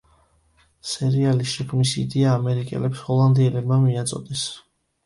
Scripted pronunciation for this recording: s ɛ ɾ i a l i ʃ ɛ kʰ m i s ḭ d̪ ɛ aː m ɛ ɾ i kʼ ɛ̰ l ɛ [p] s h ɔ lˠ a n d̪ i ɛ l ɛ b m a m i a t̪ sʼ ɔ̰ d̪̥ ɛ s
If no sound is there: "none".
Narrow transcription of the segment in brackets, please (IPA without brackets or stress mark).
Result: p